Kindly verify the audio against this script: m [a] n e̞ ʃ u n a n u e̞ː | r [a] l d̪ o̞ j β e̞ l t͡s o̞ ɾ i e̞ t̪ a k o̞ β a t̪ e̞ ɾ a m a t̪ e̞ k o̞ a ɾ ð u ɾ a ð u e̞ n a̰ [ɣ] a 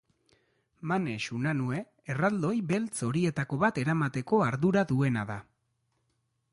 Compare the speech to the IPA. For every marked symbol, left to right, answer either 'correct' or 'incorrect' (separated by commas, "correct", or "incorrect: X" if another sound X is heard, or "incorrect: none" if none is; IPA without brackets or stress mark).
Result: correct, correct, incorrect: ð